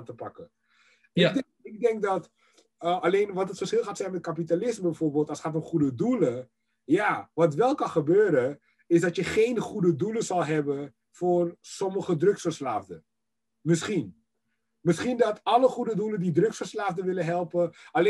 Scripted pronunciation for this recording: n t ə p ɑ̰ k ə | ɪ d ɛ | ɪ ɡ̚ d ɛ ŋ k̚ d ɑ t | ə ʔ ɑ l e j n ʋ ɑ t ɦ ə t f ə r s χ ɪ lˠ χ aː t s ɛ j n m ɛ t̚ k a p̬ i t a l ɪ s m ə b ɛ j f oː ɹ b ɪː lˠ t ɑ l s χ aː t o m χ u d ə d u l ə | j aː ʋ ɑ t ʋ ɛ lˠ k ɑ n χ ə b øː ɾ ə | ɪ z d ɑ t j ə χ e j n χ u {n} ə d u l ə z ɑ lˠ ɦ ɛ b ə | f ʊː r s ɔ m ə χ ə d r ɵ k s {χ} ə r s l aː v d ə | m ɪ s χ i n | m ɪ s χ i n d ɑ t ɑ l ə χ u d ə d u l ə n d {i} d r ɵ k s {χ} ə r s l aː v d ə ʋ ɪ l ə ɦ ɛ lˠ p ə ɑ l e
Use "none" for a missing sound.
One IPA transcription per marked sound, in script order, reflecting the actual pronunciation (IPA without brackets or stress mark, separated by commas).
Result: d, f, i, f